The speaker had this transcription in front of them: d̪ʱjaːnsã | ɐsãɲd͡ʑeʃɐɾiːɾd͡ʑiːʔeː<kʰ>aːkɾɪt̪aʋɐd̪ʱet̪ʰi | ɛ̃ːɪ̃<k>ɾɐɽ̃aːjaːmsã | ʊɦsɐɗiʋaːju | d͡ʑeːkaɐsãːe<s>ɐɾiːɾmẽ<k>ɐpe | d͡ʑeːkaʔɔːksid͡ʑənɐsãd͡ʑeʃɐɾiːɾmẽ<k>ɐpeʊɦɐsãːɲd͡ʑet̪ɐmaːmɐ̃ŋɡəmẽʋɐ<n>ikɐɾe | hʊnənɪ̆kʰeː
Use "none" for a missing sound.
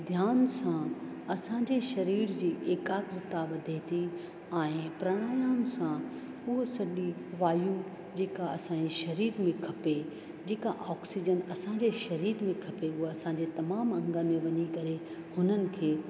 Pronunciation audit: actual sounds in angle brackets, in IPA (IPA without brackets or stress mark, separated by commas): k, p, ʃ, kʰ, kʰ, ɲ